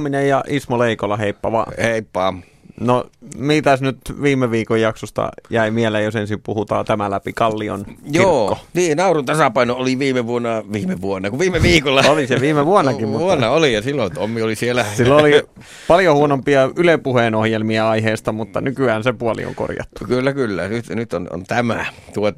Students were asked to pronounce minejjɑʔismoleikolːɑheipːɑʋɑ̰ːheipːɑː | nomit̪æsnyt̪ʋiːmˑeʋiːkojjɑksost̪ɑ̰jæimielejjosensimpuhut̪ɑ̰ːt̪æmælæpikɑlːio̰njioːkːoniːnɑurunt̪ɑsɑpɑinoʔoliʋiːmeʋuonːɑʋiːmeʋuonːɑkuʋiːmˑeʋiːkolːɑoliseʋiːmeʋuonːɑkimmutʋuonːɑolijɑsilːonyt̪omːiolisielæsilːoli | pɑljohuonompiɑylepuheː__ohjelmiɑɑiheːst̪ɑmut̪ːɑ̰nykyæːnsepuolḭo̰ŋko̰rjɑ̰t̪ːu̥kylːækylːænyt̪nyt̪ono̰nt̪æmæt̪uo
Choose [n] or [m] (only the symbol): n